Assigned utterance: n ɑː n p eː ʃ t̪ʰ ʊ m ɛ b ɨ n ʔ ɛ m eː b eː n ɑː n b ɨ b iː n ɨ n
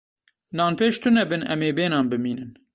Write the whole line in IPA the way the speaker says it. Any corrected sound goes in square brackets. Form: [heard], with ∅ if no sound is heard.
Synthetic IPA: n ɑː n p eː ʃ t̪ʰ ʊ [n] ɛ b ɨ n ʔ ɛ m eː b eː n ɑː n b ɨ [m] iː n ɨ n